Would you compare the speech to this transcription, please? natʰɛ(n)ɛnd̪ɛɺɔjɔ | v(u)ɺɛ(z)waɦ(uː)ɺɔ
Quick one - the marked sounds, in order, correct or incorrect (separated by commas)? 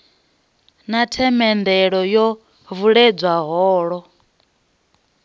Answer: incorrect, correct, incorrect, incorrect